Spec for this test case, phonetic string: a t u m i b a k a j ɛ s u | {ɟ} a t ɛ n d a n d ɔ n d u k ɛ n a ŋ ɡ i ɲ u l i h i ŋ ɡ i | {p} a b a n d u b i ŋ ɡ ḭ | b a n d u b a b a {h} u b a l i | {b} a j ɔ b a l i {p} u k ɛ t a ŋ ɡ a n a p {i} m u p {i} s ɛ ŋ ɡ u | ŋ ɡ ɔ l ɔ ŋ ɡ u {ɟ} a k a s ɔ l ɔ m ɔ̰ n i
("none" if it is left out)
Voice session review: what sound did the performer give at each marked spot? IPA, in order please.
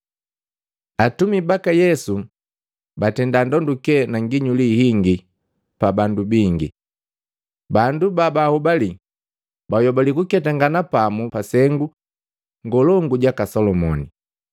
b, p, h, b, k, a, a, ɟ

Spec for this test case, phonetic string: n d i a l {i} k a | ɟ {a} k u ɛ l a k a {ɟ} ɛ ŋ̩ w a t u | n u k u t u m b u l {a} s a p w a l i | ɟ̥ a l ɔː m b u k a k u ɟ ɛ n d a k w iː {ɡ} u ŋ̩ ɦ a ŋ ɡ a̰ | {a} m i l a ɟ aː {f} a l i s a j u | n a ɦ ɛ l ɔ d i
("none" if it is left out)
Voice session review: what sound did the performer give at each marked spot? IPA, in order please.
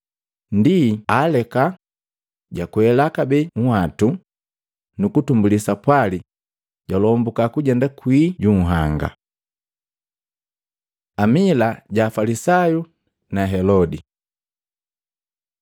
ɛ, a, b, i, ɟ, a, f

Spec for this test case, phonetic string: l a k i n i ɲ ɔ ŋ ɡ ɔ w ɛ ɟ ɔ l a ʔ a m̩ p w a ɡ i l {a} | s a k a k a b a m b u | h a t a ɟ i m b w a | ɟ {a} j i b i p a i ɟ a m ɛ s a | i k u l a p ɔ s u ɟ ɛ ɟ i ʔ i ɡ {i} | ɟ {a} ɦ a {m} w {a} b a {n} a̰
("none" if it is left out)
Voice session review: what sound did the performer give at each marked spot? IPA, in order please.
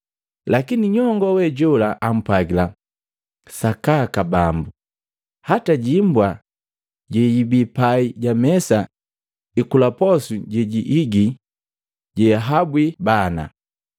a, ɛ, i, ɛ, b, i, n

